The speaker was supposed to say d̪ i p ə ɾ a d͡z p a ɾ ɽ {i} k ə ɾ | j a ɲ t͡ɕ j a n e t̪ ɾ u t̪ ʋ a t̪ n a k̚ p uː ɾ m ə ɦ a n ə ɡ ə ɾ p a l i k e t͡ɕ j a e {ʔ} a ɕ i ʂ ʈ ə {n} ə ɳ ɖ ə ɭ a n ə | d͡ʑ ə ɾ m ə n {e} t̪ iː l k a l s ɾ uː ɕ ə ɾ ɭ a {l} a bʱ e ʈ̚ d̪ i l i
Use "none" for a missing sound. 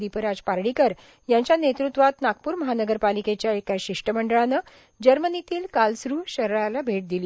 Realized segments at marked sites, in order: i, k, m, i, l

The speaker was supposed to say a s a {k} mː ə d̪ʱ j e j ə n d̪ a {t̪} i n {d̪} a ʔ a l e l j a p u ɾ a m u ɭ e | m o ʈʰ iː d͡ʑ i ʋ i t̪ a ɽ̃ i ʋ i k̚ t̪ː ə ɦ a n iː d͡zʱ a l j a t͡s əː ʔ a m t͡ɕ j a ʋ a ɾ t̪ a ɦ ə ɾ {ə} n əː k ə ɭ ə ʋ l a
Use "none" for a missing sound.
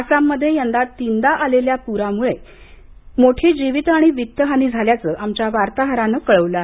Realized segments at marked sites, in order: none, t̪, d̪, a

